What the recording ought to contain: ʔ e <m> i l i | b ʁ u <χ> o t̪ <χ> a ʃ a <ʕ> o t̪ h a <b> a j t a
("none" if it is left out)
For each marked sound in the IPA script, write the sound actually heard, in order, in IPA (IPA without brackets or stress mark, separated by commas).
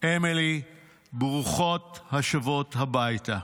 m, χ, h, v, b